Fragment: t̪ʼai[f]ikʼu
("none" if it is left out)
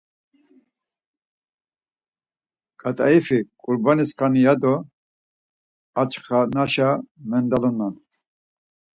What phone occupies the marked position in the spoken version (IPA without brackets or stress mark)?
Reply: f